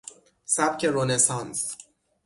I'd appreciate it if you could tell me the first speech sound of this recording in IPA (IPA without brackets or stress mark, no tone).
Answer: s